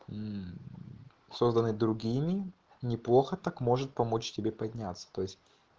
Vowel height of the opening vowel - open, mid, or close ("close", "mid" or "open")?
mid